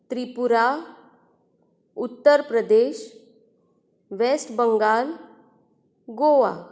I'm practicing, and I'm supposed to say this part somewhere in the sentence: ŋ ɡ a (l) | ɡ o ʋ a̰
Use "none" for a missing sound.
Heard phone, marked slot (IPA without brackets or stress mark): l